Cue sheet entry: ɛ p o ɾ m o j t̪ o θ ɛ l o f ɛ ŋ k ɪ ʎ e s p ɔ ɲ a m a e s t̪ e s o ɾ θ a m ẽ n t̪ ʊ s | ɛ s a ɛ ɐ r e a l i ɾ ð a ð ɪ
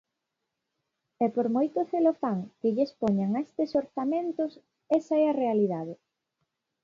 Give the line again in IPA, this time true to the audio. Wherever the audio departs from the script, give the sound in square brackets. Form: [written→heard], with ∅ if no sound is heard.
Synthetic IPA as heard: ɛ p o ɾ m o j t̪ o θ [ɛ→e] l o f [ɛ→a] ŋ k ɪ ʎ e s p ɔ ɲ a [m→ŋ] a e s t̪ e s o ɾ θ a m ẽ n t̪ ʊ s | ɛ s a ɛ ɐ r e a l i [ɾ→∅] ð a ð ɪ